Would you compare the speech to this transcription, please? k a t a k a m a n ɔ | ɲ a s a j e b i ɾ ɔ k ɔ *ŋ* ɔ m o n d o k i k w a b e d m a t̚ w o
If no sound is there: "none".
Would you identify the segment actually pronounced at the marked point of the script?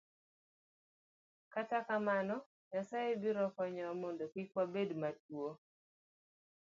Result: ɲ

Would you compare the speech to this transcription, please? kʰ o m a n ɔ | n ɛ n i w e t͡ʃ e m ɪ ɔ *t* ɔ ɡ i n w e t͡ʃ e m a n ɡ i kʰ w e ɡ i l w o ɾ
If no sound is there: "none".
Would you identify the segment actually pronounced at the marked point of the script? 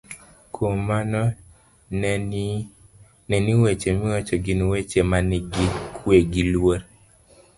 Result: t͡ʃ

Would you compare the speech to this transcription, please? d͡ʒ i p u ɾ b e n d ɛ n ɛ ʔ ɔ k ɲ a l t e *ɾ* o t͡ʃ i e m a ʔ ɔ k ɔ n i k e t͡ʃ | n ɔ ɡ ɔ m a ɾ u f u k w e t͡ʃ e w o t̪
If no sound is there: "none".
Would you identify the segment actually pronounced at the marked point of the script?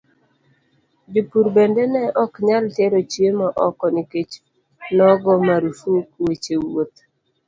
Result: ɾ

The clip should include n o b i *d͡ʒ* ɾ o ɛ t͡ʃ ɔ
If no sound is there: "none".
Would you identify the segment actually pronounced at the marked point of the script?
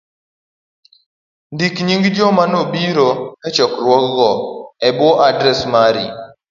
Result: none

